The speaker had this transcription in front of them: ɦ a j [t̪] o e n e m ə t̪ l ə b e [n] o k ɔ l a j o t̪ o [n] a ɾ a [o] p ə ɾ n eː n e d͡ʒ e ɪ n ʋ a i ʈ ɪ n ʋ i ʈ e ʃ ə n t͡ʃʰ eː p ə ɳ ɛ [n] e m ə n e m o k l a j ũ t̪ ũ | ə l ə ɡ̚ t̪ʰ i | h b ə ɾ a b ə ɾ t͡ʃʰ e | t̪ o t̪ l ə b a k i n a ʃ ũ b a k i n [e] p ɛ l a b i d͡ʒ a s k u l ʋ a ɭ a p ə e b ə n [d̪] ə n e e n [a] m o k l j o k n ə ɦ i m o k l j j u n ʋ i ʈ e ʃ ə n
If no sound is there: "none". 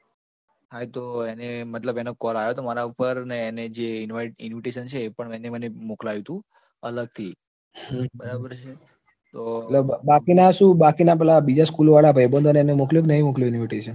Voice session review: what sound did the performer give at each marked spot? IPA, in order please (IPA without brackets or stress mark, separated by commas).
t̪, n, m, u, n, a, d̪, e